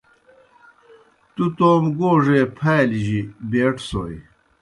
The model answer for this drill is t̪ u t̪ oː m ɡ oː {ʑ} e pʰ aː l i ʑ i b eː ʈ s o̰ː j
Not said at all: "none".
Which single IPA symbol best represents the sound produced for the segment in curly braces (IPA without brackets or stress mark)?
ʐ